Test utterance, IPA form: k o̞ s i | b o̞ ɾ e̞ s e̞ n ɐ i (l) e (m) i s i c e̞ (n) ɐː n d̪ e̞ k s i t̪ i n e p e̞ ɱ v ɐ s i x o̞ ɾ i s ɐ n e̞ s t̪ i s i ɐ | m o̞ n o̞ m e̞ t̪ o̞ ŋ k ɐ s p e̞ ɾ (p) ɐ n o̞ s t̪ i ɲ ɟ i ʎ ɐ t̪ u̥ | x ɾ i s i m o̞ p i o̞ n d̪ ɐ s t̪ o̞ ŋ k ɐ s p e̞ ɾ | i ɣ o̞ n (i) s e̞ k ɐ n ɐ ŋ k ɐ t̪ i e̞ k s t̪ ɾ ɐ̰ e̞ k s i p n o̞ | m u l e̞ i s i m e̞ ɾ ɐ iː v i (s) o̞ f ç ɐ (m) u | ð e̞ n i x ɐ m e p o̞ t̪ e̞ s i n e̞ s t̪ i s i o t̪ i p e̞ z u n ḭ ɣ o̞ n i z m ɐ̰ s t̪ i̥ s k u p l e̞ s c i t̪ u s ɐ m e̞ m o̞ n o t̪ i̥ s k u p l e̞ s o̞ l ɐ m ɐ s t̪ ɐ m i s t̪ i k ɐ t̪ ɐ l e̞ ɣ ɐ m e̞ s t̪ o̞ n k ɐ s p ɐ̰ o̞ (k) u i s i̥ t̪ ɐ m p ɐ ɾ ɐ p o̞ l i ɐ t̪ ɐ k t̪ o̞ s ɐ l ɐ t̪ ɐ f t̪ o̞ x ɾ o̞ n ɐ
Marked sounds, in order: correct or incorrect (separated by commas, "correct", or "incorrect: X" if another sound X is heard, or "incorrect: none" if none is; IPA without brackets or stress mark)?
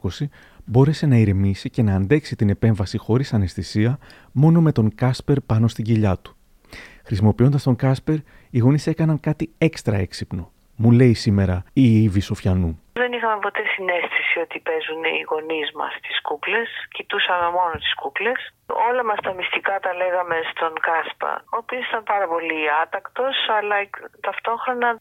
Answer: incorrect: ɾ, correct, correct, correct, correct, correct, incorrect: n, incorrect: p